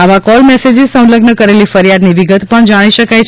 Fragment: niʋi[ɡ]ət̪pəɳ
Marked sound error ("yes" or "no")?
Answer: no